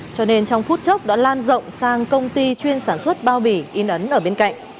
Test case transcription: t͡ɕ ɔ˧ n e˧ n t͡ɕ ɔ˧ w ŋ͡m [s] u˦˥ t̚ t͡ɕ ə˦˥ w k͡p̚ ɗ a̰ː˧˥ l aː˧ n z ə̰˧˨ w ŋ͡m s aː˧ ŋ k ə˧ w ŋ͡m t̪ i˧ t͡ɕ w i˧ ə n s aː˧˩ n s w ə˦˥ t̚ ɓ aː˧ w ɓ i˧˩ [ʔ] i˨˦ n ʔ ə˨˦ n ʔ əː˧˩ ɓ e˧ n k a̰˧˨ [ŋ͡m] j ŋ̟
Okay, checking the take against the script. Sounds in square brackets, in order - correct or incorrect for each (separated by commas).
incorrect, correct, incorrect